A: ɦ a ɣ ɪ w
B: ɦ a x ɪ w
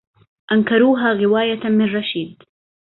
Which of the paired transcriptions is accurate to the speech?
A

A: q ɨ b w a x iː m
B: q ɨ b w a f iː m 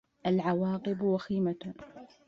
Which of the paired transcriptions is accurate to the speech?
A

